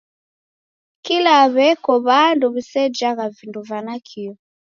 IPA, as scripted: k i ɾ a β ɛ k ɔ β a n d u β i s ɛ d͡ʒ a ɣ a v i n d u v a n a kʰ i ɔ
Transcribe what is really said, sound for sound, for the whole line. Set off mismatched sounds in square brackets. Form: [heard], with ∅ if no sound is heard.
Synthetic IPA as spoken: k i [l] a β ɛ k ɔ β a n d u β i s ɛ d͡ʒ a ɣ a v i n d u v a n a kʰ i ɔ